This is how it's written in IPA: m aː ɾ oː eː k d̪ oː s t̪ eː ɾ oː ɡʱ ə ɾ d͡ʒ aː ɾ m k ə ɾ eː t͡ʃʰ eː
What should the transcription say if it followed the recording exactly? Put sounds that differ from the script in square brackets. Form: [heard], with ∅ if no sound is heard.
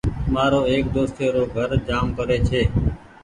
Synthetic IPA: m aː ɾ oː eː k d̪ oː s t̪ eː ɾ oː ɡʱ ə ɾ d͡ʒ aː [∅] m k ə ɾ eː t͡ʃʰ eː